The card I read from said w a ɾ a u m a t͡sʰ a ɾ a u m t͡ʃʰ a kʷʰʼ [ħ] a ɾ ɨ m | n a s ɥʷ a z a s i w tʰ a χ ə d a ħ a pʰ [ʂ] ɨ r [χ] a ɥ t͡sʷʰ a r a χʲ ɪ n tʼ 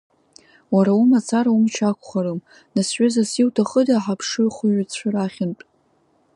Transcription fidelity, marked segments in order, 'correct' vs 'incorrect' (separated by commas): incorrect, correct, correct